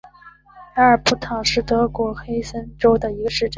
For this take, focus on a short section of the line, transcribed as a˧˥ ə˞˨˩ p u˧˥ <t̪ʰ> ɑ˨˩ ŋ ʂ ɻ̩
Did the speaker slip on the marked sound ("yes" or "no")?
no